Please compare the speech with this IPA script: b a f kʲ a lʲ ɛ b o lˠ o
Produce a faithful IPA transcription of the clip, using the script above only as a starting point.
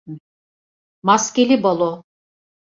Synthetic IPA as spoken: m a s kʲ e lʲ i b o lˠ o